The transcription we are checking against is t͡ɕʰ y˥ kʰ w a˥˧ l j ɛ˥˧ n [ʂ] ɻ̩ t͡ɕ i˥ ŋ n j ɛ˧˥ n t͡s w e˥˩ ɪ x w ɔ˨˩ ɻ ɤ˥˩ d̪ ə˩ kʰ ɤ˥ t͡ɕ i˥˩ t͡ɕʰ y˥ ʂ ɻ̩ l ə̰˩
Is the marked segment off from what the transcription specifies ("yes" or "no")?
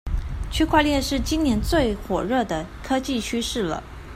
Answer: no